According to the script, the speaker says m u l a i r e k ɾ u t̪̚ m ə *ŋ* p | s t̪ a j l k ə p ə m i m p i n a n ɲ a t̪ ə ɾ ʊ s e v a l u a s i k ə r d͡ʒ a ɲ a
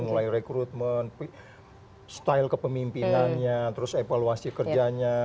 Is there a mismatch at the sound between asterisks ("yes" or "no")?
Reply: yes